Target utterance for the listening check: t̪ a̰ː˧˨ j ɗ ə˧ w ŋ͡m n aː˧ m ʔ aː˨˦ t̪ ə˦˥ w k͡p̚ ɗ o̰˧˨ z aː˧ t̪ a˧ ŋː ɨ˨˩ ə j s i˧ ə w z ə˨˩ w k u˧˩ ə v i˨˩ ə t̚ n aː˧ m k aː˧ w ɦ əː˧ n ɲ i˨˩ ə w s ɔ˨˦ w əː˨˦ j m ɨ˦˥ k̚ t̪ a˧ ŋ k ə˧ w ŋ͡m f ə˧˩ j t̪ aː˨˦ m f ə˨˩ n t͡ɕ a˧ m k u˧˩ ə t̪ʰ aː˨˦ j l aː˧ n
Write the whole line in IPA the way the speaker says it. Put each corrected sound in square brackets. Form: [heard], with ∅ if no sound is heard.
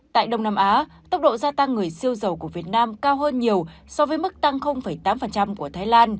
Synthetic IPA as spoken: t̪ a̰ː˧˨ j ɗ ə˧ w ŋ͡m n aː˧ m ʔ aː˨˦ t̪ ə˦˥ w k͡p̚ ɗ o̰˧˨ z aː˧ t̪ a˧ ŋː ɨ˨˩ ə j s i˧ ə w z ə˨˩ w k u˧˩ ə v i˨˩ ə t̚ n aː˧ m k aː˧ w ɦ əː˧ n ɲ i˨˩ ə w s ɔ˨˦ [v] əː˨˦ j m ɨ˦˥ k̚ t̪ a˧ ŋ [x] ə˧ w ŋ͡m f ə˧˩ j t̪ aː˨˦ m f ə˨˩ n t͡ɕ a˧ m k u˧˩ ə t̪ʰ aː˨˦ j l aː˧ n